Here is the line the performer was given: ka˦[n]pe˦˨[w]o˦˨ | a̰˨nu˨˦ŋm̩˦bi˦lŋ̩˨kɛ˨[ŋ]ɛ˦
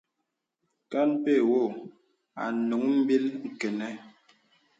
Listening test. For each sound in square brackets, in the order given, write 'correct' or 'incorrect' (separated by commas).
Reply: correct, correct, incorrect